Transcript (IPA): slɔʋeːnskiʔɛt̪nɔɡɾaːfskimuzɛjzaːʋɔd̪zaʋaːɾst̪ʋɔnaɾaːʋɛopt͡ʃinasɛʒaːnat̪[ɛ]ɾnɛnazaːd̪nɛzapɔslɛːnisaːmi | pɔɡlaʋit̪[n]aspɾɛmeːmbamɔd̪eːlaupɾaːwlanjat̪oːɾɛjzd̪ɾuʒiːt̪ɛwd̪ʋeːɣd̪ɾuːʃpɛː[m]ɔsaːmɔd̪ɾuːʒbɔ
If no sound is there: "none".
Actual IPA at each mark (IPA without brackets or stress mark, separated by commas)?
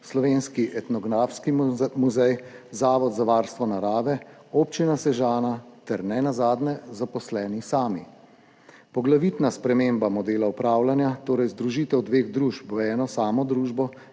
ɛ, n, n